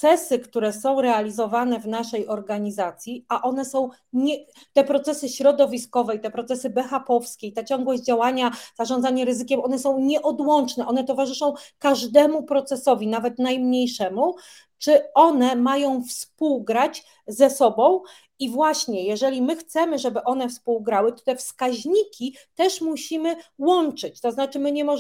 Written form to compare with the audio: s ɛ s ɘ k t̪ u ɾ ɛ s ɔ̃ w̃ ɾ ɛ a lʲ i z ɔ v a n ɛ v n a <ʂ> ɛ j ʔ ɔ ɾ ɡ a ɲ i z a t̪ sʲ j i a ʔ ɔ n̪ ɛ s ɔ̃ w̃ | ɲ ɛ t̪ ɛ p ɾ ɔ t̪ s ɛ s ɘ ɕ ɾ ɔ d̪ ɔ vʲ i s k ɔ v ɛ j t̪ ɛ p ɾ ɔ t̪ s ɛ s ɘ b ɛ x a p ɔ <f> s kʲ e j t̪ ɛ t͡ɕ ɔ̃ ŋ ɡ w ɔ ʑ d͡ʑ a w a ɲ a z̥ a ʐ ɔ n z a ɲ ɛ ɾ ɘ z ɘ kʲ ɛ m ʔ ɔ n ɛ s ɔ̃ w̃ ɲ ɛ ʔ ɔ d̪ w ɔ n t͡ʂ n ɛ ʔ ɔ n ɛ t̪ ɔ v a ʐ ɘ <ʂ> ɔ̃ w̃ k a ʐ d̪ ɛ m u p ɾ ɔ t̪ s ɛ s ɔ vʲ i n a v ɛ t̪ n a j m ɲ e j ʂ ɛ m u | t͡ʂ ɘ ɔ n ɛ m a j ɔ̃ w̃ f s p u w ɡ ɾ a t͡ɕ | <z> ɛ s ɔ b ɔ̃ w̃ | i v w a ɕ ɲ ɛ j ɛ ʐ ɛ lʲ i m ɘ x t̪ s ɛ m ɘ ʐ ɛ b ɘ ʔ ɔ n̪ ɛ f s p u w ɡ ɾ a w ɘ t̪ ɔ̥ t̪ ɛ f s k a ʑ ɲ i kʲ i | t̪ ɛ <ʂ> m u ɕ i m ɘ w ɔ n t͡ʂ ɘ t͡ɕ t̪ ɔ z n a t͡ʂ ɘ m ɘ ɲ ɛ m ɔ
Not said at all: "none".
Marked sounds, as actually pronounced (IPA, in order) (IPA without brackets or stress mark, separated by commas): ʂ, f, ʂ, z, ʂ